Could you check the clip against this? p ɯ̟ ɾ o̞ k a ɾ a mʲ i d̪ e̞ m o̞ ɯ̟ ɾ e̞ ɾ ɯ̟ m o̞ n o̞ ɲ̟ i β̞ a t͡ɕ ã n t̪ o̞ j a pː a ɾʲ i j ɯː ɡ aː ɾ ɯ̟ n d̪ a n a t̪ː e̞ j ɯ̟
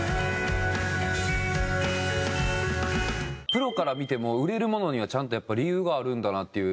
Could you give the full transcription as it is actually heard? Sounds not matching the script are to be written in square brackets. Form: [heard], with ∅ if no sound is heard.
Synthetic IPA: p ɯ̟ ɾ o̞ k a ɾ a mʲ i [t̪] e̞ m o̞ ɯ̟ ɾ e̞ ɾ ɯ̟ m o̞ n o̞ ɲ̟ i β̞ a t͡ɕ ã n t̪ o̞ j a pː a ɾʲ i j ɯː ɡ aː ɾ [ɯ̟̃] n d̪ a n a t̪ː e̞ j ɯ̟

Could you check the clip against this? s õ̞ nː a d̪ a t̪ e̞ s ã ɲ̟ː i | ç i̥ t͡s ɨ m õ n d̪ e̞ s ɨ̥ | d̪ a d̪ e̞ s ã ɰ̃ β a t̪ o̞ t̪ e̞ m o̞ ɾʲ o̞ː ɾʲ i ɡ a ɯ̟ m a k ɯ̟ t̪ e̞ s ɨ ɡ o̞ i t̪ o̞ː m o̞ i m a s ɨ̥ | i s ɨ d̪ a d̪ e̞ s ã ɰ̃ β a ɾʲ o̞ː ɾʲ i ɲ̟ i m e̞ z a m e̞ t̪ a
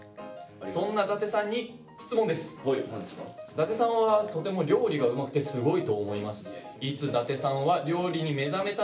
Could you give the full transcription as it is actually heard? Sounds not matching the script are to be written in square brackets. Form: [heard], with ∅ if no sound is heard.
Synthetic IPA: s õ̞ nː a d̪ a t̪ e̞ s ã ɲ̟ː i | ç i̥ t͡s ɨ m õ n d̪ e̞ s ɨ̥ | d̪ a [t̪] e̞ s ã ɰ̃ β a t̪ o̞ t̪ e̞ m o̞ ɾʲ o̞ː ɾʲ i ɡ a ɯ̟ m a k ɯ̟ t̪ e̞ s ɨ ɡ o̞ i t̪ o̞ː m o̞ i m a s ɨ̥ | i [t͡s] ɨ d̪ a [t̪] e̞ s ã ɰ̃ β a ɾʲ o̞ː ɾʲ i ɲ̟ i m e̞ z a m e̞ t̪ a

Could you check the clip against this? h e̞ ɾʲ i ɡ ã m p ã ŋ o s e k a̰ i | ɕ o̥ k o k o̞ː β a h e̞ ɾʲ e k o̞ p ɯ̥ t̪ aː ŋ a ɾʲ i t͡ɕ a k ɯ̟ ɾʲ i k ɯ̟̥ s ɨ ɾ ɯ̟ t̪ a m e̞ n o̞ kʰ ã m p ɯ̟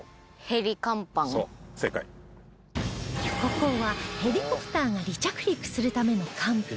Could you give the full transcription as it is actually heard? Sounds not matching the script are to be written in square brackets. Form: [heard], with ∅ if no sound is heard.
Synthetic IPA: h e̞ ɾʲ i [k] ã m p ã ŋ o s e k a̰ i | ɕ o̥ k o k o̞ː β a h e̞ ɾʲ [i] k o̞ p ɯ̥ t̪ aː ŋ a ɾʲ i t͡ɕ a k ɯ̟ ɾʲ i k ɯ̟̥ s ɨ ɾ ɯ̟ t̪ a m e̞ n o̞ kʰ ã m p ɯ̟

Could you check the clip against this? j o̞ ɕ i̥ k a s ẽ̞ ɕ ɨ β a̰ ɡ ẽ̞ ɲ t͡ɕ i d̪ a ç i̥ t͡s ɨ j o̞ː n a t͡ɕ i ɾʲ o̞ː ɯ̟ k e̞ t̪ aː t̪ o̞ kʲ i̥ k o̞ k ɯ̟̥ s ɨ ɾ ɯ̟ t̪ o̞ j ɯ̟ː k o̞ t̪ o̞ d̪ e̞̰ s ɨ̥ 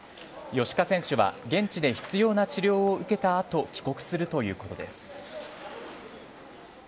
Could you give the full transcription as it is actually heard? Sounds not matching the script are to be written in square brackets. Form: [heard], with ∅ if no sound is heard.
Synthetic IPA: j o̞ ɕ i̥ k a s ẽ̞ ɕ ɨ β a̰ ɡ ẽ̞ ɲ t͡ɕ i d̪ [e] ç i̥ t͡s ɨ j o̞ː n a t͡ɕ i ɾʲ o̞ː ɯ̟ k e̞ t̪ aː t̪ o̞ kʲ i̥ k o̞ k ɯ̟̥ s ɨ ɾ ɯ̟ t̪ o̞ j ɯ̟ː k o̞ t̪ o̞ d̪ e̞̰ s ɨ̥

